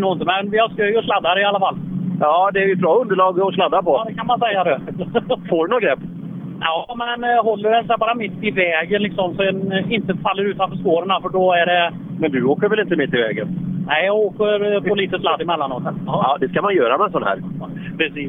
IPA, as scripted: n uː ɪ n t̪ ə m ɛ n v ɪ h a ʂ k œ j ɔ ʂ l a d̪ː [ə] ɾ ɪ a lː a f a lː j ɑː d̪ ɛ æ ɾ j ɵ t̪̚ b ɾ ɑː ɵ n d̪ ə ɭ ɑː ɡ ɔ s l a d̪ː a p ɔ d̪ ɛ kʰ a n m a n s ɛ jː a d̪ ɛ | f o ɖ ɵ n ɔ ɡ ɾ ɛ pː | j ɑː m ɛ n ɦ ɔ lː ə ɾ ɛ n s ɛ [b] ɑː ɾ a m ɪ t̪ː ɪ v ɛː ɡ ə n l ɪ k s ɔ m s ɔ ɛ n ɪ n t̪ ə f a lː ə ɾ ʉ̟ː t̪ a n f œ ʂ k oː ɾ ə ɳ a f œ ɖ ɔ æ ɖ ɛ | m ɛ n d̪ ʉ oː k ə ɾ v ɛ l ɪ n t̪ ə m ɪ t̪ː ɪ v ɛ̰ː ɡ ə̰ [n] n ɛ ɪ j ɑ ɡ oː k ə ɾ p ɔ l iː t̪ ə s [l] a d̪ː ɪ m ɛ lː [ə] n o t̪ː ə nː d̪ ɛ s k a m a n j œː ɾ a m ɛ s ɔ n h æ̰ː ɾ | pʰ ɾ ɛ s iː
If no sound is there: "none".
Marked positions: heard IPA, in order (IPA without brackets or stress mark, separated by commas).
a, b, n, l, a